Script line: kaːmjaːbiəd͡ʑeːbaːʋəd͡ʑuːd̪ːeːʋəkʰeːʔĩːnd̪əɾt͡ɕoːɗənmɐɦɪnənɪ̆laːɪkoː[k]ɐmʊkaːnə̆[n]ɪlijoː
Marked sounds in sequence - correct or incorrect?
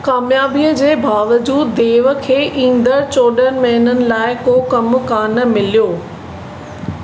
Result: correct, incorrect

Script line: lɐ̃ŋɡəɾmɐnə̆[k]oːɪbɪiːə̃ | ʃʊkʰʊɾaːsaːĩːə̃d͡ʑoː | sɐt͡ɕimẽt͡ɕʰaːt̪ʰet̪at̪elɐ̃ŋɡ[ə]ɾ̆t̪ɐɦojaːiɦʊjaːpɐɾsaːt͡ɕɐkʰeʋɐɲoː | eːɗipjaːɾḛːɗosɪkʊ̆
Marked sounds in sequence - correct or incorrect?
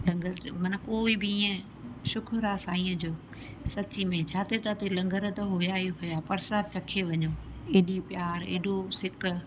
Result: correct, correct

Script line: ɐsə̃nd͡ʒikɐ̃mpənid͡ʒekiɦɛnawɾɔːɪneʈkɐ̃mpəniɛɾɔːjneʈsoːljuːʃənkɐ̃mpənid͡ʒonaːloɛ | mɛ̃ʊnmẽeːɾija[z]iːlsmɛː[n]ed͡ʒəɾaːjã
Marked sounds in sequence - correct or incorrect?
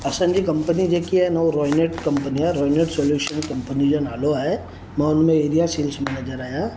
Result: incorrect, correct

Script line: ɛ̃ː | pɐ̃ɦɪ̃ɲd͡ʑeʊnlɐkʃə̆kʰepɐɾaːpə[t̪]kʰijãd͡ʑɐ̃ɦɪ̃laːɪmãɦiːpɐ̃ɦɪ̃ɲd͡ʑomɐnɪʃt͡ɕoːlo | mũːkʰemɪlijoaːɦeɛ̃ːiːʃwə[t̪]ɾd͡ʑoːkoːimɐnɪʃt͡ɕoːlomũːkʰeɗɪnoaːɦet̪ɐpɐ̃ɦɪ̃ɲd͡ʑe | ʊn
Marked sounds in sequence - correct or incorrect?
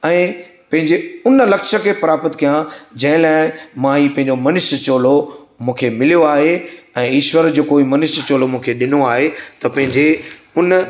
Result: correct, incorrect

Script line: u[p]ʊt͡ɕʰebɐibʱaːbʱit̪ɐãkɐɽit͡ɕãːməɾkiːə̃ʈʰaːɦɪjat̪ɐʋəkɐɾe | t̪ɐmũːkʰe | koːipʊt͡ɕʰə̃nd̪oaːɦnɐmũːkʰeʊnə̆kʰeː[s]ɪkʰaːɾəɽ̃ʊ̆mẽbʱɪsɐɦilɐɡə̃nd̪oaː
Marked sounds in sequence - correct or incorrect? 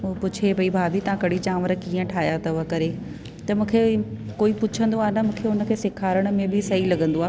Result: correct, correct

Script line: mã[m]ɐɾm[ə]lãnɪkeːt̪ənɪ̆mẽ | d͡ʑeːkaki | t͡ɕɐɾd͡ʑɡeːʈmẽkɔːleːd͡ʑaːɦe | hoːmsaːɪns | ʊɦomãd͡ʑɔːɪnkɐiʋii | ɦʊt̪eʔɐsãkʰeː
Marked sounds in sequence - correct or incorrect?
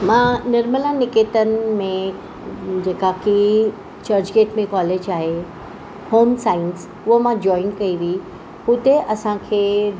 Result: incorrect, correct

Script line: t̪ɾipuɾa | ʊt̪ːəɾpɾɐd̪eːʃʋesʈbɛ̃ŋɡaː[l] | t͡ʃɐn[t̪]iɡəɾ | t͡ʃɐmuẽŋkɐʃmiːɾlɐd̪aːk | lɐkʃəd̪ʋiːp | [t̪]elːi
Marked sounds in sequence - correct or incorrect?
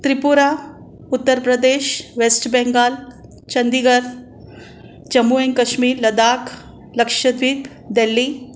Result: correct, incorrect, incorrect

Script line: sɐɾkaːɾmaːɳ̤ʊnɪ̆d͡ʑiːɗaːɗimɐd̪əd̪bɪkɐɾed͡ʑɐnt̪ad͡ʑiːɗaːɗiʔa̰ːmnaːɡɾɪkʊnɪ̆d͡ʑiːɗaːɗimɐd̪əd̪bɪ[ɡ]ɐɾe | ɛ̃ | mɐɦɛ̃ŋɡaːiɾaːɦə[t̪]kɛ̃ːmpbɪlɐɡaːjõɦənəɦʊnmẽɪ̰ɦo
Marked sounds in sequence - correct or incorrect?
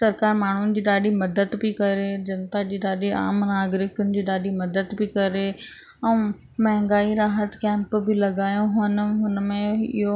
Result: incorrect, correct

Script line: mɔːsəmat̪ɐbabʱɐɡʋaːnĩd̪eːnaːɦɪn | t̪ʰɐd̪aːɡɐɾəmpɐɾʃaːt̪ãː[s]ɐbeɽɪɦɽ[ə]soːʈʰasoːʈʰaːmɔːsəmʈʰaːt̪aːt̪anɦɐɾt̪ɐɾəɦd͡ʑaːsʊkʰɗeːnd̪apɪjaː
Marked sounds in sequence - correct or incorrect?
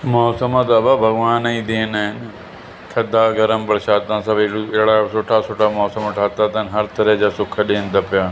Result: correct, incorrect

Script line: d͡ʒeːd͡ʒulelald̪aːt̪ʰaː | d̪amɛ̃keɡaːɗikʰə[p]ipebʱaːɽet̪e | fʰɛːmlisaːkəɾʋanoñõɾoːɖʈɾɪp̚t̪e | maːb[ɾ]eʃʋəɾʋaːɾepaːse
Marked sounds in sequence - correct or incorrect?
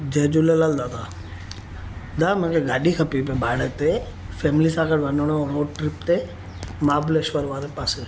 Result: correct, incorrect

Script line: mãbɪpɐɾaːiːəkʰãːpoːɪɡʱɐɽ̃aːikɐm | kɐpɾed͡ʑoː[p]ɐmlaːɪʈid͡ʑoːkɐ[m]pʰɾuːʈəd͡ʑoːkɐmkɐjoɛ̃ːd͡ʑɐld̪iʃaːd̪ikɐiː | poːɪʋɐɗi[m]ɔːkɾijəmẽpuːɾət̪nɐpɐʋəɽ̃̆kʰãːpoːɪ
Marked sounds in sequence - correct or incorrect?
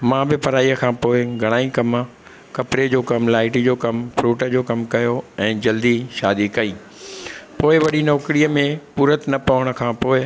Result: incorrect, correct, incorrect

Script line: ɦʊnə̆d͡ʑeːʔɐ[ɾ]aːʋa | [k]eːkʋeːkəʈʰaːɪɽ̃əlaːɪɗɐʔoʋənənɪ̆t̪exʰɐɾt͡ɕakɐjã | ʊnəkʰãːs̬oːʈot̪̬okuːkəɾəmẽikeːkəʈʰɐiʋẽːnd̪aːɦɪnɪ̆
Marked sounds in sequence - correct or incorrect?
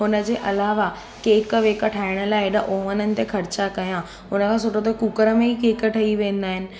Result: incorrect, correct

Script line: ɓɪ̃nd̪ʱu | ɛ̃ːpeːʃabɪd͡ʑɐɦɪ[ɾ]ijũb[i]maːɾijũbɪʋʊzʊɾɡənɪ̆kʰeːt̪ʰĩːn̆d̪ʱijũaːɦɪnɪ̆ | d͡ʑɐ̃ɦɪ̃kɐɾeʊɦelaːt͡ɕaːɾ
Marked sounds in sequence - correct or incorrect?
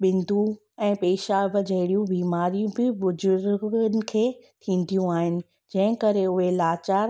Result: incorrect, incorrect

